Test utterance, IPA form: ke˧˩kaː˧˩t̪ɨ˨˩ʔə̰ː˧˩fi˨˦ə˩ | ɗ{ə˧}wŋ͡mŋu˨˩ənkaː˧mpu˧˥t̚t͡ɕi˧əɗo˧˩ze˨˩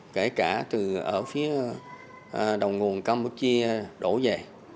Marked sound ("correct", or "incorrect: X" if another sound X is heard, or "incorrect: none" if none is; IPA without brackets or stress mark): incorrect: ə˨˩